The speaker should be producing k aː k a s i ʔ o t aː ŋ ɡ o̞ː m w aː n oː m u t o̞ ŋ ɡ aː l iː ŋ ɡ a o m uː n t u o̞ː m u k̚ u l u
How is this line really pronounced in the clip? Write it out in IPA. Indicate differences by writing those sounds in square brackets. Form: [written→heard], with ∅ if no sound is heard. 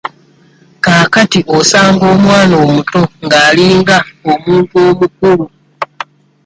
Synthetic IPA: k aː k a [s→t] i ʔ o [t→s] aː ŋ ɡ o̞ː m w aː n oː m u t o̞ ŋ ɡ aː l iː ŋ ɡ a o m uː n t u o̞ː m u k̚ u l u